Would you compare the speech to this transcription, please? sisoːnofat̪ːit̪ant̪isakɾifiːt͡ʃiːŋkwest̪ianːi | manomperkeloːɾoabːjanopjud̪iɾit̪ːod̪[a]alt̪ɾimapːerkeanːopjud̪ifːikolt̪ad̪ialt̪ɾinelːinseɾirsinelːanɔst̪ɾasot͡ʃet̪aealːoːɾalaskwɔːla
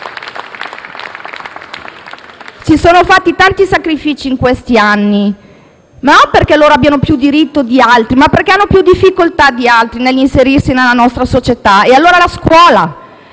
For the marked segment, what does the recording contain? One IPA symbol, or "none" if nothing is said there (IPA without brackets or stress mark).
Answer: i